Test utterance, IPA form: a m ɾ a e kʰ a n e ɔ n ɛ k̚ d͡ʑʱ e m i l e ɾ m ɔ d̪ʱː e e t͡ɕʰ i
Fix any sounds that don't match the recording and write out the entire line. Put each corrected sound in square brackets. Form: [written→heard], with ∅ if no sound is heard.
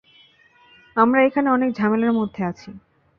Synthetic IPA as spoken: a m ɾ a e kʰ a n e ɔ n [ɛ→e] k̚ d͡ʑʱ [e→a] m [i→e] l [e→a] ɾ m [ɔ→o] d̪ʱː e [e→a] t͡ɕʰ i